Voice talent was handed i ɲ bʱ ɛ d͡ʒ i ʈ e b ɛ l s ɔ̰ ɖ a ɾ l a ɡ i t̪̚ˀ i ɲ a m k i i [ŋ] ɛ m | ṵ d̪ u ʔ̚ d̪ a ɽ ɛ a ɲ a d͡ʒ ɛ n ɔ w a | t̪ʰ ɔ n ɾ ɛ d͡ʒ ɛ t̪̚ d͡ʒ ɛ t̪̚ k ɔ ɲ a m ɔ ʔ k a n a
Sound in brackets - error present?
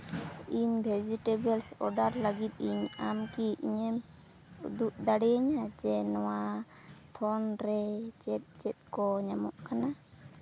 yes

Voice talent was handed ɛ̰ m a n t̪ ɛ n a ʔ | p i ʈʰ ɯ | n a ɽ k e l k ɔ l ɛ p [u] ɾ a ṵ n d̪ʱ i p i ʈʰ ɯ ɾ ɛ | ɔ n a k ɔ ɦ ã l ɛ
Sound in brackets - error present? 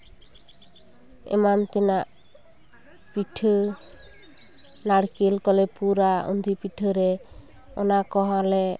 no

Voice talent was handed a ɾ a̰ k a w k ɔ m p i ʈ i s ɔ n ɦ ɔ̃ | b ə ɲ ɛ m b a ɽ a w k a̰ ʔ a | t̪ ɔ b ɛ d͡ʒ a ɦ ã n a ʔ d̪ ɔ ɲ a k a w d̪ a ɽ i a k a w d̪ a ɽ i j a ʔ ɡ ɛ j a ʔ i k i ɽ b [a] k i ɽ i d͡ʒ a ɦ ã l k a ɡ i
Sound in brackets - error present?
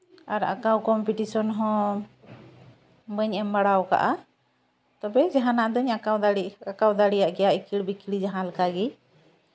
yes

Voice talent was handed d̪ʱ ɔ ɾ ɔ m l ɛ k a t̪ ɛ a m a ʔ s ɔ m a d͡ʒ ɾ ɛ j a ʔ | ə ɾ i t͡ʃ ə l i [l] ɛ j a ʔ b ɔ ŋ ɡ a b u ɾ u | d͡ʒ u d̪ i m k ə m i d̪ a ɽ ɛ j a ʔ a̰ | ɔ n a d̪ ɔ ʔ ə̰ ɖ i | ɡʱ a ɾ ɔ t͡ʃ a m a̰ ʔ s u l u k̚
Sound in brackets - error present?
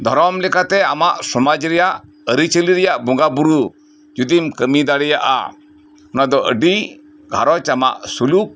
yes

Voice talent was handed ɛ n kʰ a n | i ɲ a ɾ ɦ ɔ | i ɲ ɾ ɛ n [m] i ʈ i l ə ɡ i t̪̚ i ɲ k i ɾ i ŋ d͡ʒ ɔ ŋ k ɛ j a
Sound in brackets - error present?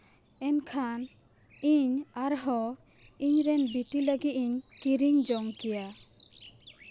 yes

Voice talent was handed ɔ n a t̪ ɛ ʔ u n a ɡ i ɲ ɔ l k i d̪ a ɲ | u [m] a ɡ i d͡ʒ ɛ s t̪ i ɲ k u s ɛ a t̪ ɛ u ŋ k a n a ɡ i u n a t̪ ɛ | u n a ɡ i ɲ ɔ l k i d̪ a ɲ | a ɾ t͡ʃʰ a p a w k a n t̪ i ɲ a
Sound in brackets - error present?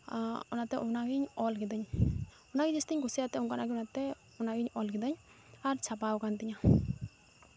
yes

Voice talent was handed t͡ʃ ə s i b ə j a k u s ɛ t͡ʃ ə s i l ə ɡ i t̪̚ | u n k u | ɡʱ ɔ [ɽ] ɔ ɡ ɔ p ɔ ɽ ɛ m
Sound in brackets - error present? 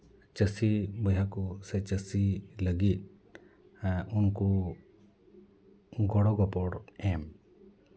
no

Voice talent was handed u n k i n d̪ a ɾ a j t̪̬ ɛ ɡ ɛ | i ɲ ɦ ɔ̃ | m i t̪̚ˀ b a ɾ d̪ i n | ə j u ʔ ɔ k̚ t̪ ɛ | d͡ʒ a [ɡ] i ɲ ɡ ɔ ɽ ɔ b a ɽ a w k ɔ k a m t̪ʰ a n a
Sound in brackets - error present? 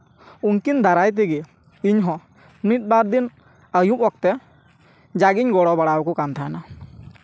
no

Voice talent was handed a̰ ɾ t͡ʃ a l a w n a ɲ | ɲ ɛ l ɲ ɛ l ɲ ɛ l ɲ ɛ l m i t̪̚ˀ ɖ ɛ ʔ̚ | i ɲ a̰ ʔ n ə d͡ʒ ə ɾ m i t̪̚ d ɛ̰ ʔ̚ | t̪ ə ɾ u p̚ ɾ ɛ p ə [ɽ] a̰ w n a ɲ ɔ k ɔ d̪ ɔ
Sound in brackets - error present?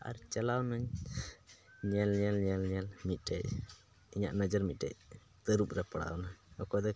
no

